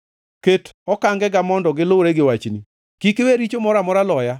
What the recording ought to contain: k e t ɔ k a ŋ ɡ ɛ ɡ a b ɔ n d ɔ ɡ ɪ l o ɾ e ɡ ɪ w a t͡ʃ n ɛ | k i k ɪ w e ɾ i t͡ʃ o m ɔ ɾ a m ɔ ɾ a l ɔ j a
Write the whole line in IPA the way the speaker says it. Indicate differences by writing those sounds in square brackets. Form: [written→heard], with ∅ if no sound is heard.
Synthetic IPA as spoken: k e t ɔ k a ŋ ɡ ɛ ɡ a [b→m] ɔ n d ɔ ɡ ɪ l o ɾ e ɡ ɪ w a t͡ʃ n [ɛ→i] | k i k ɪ w e ɾ i t͡ʃ o m ɔ ɾ a m ɔ ɾ a l ɔ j a

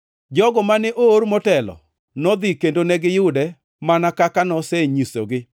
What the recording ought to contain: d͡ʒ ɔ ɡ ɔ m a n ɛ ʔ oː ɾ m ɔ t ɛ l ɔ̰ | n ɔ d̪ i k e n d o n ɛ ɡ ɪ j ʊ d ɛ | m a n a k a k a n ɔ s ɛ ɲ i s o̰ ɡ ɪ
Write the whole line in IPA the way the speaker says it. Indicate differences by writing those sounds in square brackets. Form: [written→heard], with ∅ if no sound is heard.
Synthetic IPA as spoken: d͡ʒ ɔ ɡ ɔ m a n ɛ ʔ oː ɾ m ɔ t ɛ l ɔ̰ | n ɔ d̪ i k e n d o n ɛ ɡ ɪ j ʊ d ɛ | m a n a k a k a n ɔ s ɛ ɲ i s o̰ ɡ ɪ

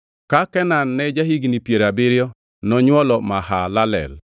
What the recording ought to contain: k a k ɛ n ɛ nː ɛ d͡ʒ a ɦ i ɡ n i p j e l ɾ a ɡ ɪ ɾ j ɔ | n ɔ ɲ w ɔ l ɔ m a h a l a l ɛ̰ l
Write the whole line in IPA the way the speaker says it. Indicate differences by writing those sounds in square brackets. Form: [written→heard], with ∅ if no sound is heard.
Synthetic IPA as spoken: k a k ɛ n [ɛ→a] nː ɛ d͡ʒ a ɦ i ɡ n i p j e [l→∅] ɾ a [ɡ→b] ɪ ɾ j ɔ | n ɔ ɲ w ɔ l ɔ m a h a l a l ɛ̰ l

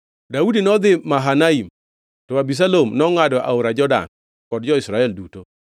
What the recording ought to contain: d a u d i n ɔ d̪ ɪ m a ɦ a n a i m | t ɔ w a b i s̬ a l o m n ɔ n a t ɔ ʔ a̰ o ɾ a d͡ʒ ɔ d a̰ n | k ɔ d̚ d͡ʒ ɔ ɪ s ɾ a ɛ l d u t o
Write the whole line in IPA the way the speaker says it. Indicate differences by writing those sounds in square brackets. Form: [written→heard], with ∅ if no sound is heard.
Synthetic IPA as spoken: d a u d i n ɔ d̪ ɪ m a ɦ a n a i m | t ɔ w a b i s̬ a l o m n ɔ [n→ŋ] a [t→d] ɔ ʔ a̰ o ɾ a d͡ʒ ɔ d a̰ n | k ɔ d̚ d͡ʒ ɔ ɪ s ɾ a ɛ l d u t o

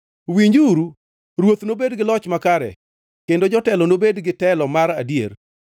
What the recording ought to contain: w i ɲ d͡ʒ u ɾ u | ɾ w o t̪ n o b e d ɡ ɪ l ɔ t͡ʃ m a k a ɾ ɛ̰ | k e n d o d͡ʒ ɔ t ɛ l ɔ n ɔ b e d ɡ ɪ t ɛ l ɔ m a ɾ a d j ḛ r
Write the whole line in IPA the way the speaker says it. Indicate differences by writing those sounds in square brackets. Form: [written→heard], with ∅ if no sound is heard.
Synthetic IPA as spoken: w i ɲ d͡ʒ u ɾ u | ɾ w o t̪ n o b e d ɡ ɪ l ɔ t͡ʃ m a k a ɾ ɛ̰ | k e n d o d͡ʒ ɔ t ɛ l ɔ n [ɔ→o] b e d ɡ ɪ t ɛ l ɔ m a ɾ a d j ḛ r

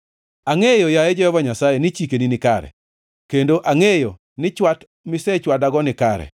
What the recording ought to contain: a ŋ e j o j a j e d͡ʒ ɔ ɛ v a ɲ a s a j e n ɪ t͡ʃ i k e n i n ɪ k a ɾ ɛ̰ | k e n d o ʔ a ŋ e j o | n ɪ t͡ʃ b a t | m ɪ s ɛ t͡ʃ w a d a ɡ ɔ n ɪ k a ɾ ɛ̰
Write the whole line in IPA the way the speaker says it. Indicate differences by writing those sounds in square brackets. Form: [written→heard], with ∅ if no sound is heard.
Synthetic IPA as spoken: a ŋ e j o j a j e d͡ʒ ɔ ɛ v a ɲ a s a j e n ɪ t͡ʃ i k e n i n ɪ k a ɾ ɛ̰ | k e n d o ʔ a ŋ e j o | n ɪ t͡ʃ [b→w] a t | m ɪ s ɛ t͡ʃ w a d a ɡ ɔ n ɪ k a ɾ ɛ̰

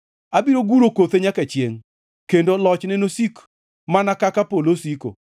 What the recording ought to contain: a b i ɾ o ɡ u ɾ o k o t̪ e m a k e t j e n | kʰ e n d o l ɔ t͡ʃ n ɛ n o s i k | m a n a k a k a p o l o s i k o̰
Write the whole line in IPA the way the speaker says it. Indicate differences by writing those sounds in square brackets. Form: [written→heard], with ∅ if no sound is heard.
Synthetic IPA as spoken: a b i ɾ o ɡ u ɾ o k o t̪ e [m→ɲ] a k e [t→t͡ʃ] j e [n→ŋ] | [kʰ→k] e n d o l ɔ t͡ʃ n ɛ n o s i k | m a n a k a k a p o l o s i k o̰

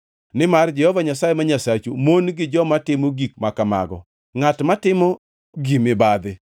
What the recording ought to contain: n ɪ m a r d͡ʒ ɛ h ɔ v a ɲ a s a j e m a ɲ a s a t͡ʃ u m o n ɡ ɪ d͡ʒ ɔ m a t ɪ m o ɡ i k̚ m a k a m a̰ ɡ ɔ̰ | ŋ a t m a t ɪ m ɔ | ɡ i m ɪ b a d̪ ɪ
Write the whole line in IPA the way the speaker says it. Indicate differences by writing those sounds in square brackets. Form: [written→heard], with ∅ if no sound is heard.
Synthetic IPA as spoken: n ɪ m a r d͡ʒ ɛ h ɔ v a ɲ a s a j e m a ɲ a s a t͡ʃ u m o n ɡ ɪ d͡ʒ ɔ m a t ɪ m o ɡ i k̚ m a k a m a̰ ɡ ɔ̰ | ŋ a t m a t ɪ m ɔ | ɡ i m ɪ b a d̪ ɪ

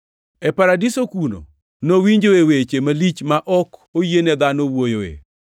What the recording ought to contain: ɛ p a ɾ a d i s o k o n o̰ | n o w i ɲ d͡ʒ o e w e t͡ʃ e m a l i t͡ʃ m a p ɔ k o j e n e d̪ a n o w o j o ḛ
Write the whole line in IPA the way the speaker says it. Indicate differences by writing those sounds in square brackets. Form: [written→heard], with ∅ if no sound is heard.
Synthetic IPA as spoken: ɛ p a ɾ a d i s o k [o→u] n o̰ | n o w i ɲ d͡ʒ o e w e t͡ʃ e m a l i t͡ʃ m a [p→ʔ] ɔ k o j e n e d̪ a n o w o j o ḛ

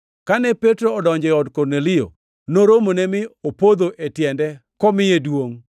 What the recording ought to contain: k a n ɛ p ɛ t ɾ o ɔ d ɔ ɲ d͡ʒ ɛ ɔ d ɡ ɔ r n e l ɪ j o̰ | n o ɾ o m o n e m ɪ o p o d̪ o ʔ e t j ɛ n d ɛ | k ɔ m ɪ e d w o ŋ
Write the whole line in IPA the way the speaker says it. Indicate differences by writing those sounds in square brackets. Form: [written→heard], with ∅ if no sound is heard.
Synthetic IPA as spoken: k a n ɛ p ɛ t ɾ o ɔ d ɔ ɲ d͡ʒ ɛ ɔ d [ɡ→k] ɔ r n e l ɪ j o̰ | n o ɾ o m o n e m ɪ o p o d̪ o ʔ e t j ɛ n d ɛ | k ɔ m ɪ e d w o ŋ

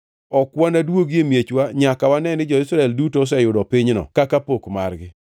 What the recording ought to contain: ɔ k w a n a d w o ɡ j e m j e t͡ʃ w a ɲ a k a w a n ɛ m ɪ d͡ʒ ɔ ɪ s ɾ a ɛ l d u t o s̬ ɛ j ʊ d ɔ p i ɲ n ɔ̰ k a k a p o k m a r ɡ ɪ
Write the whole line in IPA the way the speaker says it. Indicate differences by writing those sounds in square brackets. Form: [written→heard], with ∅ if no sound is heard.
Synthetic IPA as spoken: ɔ k w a n a d w o ɡ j e m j e t͡ʃ w a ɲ a k a w a n ɛ [m→n] ɪ d͡ʒ ɔ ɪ s ɾ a ɛ l d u t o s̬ ɛ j ʊ d ɔ p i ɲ n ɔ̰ k a k a p o k m a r ɡ ɪ

